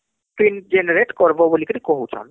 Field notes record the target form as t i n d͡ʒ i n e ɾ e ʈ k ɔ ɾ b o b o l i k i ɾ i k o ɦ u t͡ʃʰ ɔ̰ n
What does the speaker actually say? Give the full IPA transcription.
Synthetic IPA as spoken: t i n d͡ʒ e n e ɾ e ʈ k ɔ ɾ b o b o l i k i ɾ i k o ɦ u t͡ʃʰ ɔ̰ n